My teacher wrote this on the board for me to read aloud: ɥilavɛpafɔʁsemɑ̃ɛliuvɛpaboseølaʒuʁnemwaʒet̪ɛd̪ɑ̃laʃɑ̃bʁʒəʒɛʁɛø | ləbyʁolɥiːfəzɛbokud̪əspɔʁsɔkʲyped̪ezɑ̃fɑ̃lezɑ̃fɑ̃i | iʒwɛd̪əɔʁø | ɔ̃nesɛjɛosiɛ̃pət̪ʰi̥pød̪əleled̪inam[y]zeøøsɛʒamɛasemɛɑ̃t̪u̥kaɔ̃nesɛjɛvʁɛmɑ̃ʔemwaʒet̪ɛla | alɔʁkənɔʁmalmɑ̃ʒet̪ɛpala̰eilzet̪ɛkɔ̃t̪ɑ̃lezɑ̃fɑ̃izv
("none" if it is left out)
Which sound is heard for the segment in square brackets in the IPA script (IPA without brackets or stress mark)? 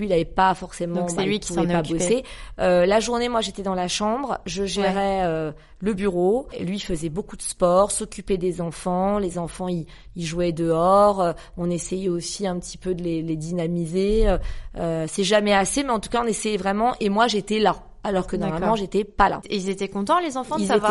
i